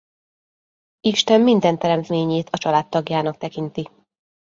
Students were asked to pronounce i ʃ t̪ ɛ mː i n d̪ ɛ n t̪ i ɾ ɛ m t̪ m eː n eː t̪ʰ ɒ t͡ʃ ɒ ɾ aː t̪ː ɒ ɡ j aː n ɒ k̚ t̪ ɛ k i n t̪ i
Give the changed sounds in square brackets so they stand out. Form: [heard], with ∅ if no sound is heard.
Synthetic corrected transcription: i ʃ t̪ ɛ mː i n d̪ ɛ n t̪ [ɛ] ɾ ɛ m t̪ m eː [ɲ] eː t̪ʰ ɒ t͡ʃ ɒ [l] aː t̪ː ɒ ɡ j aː n ɒ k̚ t̪ ɛ k i n t̪ i

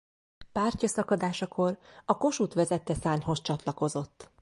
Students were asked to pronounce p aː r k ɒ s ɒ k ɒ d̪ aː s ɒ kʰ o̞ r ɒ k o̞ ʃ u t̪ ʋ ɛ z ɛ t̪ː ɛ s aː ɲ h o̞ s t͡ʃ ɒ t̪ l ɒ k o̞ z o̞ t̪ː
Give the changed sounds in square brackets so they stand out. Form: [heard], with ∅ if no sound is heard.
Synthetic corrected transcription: p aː r [c] ɒ s ɒ k ɒ d̪ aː [ʃ] ɒ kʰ o̞ r ɒ k o̞ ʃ u t̪ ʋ ɛ z ɛ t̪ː ɛ s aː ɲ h o̞ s t͡ʃ ɒ t̪ l ɒ k o̞ z o̞ t̪ː

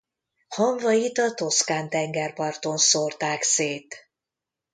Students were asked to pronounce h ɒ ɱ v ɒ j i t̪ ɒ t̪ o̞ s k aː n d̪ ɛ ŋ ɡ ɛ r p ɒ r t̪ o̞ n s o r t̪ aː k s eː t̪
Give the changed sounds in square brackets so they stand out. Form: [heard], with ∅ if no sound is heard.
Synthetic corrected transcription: h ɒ ɱ v ɒ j i t̪ ɒ t̪ o̞ s k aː n [t̪] ɛ ŋ ɡ ɛ r p ɒ r t̪ o̞ n s o r t̪ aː k s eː t̪

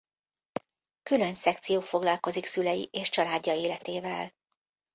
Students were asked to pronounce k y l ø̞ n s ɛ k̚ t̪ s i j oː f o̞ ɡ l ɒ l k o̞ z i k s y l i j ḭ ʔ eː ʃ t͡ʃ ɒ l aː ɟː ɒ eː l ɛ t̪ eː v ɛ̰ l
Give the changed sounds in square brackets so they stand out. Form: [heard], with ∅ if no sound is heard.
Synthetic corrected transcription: k y l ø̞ n s ɛ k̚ t̪ s i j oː f o̞ ɡ l ɒ l k o̞ z i k s y l [ɛ] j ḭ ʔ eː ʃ t͡ʃ ɒ l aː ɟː ɒ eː l ɛ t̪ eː v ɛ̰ l

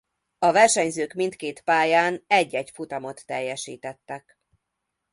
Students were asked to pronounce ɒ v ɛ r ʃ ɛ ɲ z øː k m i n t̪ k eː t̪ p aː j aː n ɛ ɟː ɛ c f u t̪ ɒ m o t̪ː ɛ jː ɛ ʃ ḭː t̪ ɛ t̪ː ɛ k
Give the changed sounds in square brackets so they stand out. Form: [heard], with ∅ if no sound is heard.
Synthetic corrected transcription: ɒ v ɛ r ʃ ɛ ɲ z øː k m i n t̪ k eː t̪ p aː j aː n ɛ ɟː ɛ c f u t̪ ɒ m o t̪ː ɛ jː ɛ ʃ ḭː t̪ ɛ t̪ː ɛ k

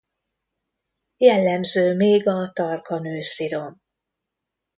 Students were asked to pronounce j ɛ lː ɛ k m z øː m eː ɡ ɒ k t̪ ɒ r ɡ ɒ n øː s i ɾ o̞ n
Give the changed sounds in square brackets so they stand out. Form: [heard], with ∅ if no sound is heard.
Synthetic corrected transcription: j ɛ lː ɛ [∅] m z øː m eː ɡ ɒ [∅] t̪ ɒ r [k] ɒ n øː s i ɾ o̞ n

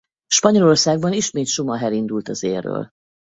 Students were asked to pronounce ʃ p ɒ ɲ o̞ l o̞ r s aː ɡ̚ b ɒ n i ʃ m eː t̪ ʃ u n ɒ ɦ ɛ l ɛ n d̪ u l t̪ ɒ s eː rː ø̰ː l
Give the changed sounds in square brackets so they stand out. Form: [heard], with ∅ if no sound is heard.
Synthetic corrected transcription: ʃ p ɒ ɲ o̞ l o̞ r s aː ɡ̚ b ɒ n i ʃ m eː t̪ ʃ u [m] ɒ ɦ ɛ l [i] n d̪ u l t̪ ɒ [z] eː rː ø̰ː l

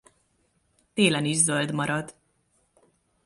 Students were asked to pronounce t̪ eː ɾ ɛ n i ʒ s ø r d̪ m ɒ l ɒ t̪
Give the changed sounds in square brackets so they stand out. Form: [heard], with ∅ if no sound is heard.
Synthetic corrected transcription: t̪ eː [l] ɛ n i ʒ [z] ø [l] d̪ m ɒ [ɾ] ɒ [d̪]

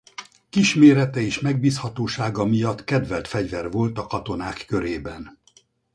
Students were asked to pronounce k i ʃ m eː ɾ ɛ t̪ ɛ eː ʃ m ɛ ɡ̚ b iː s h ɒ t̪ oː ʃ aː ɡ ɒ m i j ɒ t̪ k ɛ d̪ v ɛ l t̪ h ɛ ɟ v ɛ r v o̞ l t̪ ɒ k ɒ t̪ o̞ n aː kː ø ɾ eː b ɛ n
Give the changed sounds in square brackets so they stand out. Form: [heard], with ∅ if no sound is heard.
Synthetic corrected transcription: k i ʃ m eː ɾ ɛ t̪ ɛ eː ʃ m ɛ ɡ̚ b iː s h ɒ t̪ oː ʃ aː ɡ ɒ m i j ɒ t̪ k ɛ d̪ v ɛ l t̪ [f] ɛ ɟ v ɛ r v o̞ l t̪ ɒ k ɒ t̪ o̞ n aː kː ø ɾ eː b ɛ n

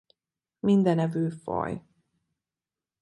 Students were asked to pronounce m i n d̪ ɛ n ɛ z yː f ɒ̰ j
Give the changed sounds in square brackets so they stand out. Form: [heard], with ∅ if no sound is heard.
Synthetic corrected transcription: m i n d̪ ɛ n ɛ [v] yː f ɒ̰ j

